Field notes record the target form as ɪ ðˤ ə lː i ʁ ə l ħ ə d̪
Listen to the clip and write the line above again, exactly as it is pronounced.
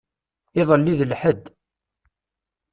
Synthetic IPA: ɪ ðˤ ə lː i ð ə l ħ ə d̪